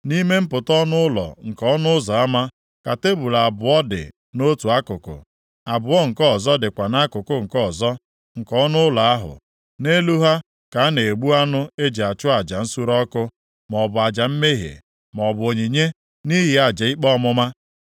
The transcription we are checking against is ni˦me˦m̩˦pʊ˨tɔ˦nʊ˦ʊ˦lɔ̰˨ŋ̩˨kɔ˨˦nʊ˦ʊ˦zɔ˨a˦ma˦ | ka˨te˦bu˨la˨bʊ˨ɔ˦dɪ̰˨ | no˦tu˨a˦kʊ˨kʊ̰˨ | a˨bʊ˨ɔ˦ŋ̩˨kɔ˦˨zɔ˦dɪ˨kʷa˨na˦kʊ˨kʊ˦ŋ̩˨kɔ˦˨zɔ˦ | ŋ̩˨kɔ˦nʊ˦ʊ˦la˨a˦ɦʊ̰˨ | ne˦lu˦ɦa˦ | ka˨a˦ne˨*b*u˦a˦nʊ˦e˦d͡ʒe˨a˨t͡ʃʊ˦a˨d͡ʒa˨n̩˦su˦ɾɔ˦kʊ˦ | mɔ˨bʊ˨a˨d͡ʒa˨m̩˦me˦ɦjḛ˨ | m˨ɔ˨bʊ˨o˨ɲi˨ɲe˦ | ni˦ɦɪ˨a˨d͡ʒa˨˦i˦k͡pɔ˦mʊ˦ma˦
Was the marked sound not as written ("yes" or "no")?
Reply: yes